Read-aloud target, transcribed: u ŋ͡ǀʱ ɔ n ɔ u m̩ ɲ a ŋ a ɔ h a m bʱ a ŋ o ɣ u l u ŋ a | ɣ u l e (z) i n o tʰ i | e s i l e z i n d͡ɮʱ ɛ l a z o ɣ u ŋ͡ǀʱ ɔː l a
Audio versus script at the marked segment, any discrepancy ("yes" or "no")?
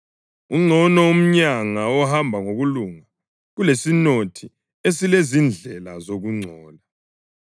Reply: yes